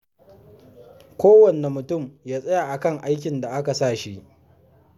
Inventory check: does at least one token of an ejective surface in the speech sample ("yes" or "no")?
yes